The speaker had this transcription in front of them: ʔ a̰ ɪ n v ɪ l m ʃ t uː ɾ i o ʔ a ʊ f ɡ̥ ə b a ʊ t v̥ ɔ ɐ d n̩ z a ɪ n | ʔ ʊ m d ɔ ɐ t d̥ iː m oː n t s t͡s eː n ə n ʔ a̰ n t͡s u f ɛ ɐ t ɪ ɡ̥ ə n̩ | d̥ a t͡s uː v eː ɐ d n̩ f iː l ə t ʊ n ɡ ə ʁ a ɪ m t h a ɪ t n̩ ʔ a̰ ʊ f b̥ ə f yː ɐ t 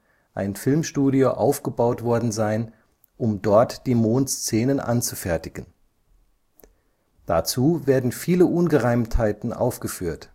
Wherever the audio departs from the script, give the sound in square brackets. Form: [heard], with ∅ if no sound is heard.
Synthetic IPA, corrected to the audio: ʔ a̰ ɪ n [f] ɪ l m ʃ t uː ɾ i o ʔ a ʊ f ɡ̥ ə b a ʊ t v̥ ɔ ɐ d n̩ z a ɪ n | ʔ ʊ m d ɔ ɐ t d̥ iː m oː n t s t͡s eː n ə n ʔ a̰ n t͡s u f ɛ ɐ t ɪ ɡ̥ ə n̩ | d̥ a t͡s uː v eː ɐ d n̩ f iː l ə [ʔ] ʊ n ɡ ə ʁ a ɪ m t h a ɪ t n̩ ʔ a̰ ʊ f [ɡ̥] ə f yː ɐ t